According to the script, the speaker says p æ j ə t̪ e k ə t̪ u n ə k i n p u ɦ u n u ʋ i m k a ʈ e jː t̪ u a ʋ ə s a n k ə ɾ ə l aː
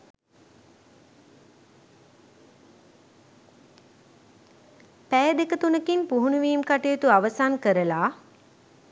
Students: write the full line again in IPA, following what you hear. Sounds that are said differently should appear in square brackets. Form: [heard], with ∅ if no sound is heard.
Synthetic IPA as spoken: p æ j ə [d̪] e k ə t̪ u n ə k i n p u ɦ u n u ʋ [iː] m k a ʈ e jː t̪ u a ʋ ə s a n k ə ɾ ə l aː